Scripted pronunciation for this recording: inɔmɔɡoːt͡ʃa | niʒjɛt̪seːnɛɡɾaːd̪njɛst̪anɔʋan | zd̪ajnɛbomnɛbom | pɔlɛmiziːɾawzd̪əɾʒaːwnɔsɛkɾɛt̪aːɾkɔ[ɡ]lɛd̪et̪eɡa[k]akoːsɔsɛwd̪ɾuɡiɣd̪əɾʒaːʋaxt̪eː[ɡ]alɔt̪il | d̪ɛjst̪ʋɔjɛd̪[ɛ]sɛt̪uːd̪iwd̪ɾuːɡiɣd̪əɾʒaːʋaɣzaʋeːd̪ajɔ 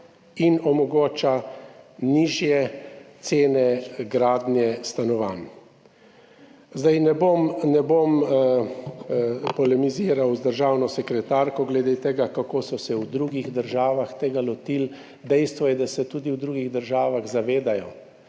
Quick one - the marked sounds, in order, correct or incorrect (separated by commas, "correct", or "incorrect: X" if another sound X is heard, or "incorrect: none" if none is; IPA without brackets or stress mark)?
correct, correct, correct, incorrect: a